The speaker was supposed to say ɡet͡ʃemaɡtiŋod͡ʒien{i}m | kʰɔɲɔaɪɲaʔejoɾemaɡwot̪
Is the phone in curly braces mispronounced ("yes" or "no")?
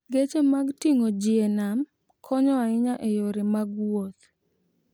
yes